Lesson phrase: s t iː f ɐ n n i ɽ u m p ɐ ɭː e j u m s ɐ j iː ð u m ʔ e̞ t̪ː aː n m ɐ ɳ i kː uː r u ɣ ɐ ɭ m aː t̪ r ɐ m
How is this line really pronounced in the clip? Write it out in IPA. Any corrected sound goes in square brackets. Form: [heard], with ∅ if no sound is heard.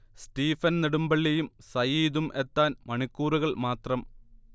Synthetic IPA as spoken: s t iː f ɐ n n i ɽ u m [b] ɐ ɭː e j u m s ɐ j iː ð u m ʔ e̞ t̪ː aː n m ɐ ɳ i kː uː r u ɣ ɐ ɭ m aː t̪ r ɐ m